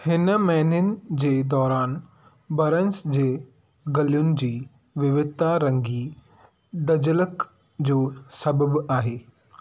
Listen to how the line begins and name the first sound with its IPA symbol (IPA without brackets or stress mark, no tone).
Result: h